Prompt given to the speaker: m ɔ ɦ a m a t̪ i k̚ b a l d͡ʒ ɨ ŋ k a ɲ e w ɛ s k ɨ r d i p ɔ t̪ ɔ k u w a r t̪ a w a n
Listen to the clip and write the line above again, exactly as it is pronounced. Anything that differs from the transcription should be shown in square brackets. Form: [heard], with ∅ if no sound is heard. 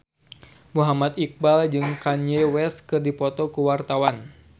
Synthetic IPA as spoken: m [u] ɦ a m a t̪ i k̚ b a l d͡ʒ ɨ ŋ k a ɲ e w ɛ s k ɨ r d i p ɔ t̪ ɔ k u w a r t̪ a w a n